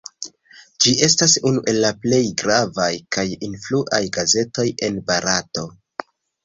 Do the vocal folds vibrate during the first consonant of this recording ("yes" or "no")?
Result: yes